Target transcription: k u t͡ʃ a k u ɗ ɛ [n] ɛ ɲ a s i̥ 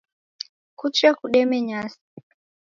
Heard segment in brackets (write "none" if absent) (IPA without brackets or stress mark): m